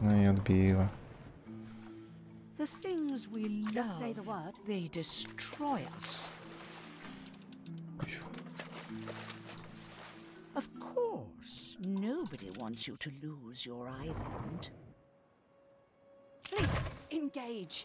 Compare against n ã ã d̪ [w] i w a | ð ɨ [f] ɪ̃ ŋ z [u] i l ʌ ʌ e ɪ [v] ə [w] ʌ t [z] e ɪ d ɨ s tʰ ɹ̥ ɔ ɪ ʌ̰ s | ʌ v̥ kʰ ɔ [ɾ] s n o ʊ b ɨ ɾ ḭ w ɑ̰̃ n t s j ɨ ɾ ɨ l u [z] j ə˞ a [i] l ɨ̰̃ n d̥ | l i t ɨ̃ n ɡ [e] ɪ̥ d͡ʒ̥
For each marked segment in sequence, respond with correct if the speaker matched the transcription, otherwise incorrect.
incorrect: b, incorrect: θ, incorrect: w, incorrect: ð, correct, incorrect: ð, incorrect: ɹ, correct, incorrect: ɪ, correct

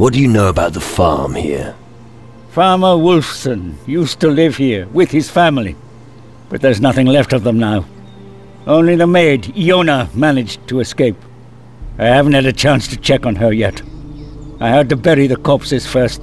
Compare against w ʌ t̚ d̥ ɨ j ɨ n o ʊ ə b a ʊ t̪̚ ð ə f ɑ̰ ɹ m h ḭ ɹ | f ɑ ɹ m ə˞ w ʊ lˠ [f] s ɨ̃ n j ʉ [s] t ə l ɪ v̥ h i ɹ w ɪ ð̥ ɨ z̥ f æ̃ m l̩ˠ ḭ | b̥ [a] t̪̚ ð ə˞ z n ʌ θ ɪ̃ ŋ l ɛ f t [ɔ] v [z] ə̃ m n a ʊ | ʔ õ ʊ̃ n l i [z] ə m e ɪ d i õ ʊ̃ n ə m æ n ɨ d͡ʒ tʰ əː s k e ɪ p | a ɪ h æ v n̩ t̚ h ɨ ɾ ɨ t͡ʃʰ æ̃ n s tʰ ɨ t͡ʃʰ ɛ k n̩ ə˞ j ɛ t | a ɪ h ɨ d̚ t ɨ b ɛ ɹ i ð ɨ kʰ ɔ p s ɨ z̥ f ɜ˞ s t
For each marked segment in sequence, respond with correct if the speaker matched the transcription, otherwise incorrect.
correct, correct, incorrect: ʌ, incorrect: ʌ, incorrect: ð, incorrect: ð

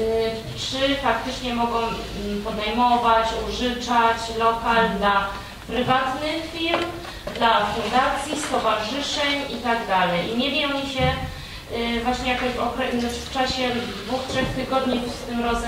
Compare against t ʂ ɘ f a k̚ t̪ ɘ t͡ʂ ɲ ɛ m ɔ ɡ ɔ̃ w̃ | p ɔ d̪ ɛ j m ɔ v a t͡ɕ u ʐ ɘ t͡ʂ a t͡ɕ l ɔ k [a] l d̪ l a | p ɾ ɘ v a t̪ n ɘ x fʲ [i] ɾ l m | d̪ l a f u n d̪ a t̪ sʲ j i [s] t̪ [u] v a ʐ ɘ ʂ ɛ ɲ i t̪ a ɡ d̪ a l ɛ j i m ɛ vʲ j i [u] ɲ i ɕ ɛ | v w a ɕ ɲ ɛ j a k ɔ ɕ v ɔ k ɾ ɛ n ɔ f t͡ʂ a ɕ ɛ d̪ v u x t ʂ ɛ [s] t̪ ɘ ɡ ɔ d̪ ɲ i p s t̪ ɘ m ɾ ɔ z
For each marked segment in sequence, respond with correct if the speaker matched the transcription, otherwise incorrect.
correct, correct, correct, incorrect: ɔ, incorrect: ɔ, incorrect: x

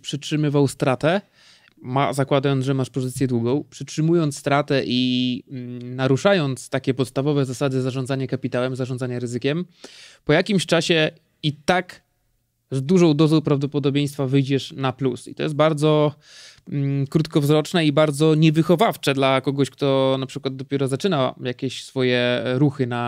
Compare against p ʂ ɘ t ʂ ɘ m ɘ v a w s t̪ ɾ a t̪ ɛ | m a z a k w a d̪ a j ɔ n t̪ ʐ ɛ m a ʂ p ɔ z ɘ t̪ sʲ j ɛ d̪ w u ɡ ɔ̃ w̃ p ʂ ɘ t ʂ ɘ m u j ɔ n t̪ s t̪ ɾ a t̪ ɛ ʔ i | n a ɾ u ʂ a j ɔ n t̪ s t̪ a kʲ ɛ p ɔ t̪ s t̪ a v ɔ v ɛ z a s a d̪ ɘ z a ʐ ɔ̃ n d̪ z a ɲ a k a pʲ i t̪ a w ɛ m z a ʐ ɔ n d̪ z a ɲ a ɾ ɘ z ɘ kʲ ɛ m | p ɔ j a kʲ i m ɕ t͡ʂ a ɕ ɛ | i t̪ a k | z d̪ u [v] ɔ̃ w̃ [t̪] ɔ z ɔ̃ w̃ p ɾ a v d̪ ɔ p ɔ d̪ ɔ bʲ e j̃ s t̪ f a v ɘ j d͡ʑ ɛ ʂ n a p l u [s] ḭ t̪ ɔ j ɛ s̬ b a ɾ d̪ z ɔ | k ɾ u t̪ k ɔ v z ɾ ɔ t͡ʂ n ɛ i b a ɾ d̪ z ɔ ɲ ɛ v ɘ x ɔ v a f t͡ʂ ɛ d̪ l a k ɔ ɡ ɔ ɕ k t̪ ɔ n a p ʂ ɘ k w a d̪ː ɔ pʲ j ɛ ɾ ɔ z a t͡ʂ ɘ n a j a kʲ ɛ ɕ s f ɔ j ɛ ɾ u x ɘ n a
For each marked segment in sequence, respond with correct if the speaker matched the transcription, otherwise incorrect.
incorrect: ʐ, incorrect: d̪, correct

